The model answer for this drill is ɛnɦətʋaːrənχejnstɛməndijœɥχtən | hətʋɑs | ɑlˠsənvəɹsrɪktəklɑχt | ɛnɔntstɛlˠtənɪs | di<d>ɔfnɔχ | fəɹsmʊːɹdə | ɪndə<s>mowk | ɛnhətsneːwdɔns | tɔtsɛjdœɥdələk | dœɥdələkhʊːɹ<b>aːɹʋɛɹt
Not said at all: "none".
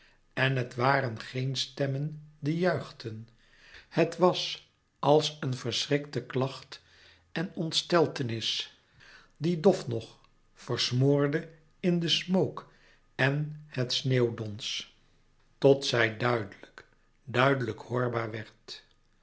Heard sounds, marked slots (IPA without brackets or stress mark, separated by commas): d, s, b